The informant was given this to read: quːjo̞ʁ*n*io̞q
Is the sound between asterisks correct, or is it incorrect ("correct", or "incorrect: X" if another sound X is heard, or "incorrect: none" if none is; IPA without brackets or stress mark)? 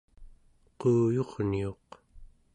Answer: correct